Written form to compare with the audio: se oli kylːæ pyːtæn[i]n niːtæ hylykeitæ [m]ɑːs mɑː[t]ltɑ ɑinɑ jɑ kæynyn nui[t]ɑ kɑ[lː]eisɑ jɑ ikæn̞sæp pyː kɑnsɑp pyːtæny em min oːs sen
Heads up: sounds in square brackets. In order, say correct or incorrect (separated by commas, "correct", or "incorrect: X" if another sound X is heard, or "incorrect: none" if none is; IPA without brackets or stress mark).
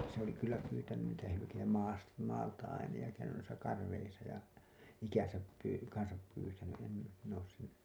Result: incorrect: y, correct, incorrect: none, incorrect: s, incorrect: rː